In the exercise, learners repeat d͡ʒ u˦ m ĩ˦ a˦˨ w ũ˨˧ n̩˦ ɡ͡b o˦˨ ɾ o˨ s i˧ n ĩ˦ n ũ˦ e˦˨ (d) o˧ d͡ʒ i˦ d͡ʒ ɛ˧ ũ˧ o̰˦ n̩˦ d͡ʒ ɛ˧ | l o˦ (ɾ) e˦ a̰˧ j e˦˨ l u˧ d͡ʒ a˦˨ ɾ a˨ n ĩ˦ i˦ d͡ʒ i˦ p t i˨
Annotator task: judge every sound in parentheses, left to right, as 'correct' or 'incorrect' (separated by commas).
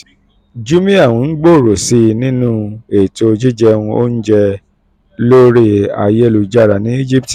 incorrect, correct